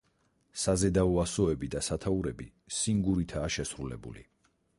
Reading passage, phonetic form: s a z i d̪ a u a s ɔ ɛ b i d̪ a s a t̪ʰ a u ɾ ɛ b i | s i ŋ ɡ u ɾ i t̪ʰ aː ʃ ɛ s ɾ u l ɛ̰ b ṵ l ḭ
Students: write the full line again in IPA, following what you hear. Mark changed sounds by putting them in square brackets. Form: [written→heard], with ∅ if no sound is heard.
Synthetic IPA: s a z [i→ɛ] d̪ a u a s ɔ ɛ b i d̪ a s a t̪ʰ a u ɾ ɛ b i | s i ŋ ɡ u ɾ i t̪ʰ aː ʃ ɛ s ɾ u l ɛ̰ b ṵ l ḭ

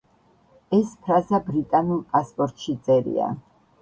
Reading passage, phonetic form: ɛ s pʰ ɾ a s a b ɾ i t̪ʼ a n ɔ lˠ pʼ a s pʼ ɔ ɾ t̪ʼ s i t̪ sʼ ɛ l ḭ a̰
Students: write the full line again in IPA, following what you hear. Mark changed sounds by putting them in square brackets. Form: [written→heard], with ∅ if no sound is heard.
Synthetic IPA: ɛ s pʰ ɾ a [s→z] a b ɾ i t̪ʼ a n [ɔ→u] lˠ pʼ a s pʼ ɔ ɾ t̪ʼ [s→ʃ] i t̪ sʼ ɛ [l→ɾ] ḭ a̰

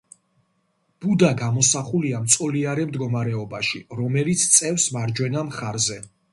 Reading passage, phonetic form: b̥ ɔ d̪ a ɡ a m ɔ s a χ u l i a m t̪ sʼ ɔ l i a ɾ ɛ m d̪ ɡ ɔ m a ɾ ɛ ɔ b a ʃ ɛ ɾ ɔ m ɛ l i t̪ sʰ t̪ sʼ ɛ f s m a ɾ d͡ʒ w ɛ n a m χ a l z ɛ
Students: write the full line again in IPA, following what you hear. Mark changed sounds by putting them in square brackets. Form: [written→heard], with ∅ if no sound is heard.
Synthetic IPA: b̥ [ɔ→u] d̪ a ɡ a m ɔ s a χ u l i a m t̪ sʼ ɔ l i a ɾ ɛ m d̪ ɡ ɔ m a ɾ ɛ ɔ b a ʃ [ɛ→i] ɾ ɔ m ɛ l i t̪ sʰ t̪ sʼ ɛ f s m a ɾ d͡ʒ w ɛ n a m χ a [l→ɾ] z ɛ

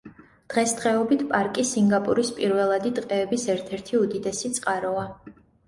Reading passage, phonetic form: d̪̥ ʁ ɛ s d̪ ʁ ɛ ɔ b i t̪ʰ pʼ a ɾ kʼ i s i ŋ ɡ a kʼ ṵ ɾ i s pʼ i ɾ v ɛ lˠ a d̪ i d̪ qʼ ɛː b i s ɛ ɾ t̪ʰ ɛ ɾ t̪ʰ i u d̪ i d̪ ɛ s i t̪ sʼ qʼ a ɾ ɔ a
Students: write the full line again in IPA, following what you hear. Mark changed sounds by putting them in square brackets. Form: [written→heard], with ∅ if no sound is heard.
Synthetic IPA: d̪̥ ʁ ɛ s d̪ ʁ ɛ ɔ b i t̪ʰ pʼ a ɾ kʼ i s i ŋ ɡ a [kʼ→pʼ] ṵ ɾ i s pʼ i ɾ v ɛ lˠ a d̪ i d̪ qʼ ɛː b i s ɛ ɾ t̪ʰ ɛ ɾ t̪ʰ i u d̪ i d̪ ɛ s i t̪ sʼ qʼ a ɾ ɔ a

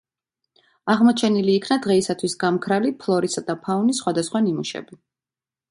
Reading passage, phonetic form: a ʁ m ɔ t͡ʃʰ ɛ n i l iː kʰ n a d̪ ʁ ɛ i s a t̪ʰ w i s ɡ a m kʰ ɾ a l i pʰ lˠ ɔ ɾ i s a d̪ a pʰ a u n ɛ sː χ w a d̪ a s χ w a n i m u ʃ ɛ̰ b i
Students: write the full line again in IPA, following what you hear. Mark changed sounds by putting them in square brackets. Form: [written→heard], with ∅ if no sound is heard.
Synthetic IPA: a ʁ m ɔ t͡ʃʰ ɛ n i l iː kʰ n a d̪ ʁ ɛ i s a t̪ʰ w i s ɡ a m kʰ ɾ a l i pʰ lˠ ɔ ɾ i s a d̪ a pʰ a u n [ɛ→i] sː χ w a d̪ a s χ w a n i m u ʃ ɛ̰ b i

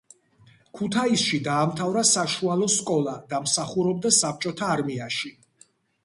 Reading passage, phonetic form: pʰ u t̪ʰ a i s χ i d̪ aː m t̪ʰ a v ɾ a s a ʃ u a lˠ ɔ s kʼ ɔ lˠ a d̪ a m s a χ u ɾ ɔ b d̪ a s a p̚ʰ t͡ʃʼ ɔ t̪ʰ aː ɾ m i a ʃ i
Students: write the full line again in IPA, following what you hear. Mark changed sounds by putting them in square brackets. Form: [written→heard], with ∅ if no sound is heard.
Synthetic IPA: [pʰ→kʰ] u t̪ʰ a i s [χ→ʃ] i d̪ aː m t̪ʰ a v ɾ a s a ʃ u a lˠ ɔ s kʼ ɔ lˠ a d̪ a m s a χ u ɾ ɔ b d̪ a s a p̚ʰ t͡ʃʼ ɔ t̪ʰ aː ɾ m i a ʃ i

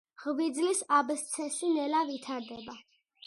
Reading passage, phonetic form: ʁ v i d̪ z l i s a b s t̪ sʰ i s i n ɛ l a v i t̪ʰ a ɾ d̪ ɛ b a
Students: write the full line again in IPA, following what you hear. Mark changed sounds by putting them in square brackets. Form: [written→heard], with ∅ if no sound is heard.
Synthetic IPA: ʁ v i d̪ z l i s a b s t̪ sʰ [i→ɛ] s i n ɛ l a v i t̪ʰ a ɾ d̪ ɛ b a

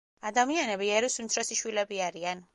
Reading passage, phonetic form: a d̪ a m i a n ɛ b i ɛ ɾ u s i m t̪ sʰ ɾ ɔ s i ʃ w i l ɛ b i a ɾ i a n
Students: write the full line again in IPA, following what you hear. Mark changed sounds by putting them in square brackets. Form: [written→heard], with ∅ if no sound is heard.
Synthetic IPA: a d̪ a m i a n ɛ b i ɛ ɾ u s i m t̪ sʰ ɾ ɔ s i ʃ w i l ɛ b i a ɾ i a n

